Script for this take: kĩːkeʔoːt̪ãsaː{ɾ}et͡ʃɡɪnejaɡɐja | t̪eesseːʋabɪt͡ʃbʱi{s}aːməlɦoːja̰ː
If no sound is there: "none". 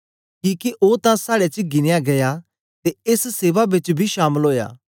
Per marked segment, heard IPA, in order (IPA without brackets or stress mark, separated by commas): ɽ, ʃ